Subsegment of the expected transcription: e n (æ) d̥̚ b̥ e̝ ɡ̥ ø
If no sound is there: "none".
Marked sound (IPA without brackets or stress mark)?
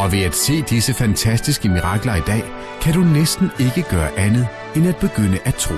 æ